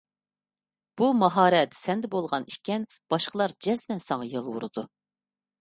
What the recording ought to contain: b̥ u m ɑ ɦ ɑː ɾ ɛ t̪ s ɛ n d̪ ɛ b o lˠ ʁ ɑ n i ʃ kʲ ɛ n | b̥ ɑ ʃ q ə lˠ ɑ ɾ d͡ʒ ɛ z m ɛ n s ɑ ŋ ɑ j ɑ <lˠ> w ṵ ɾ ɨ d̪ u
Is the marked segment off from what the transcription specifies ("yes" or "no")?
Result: no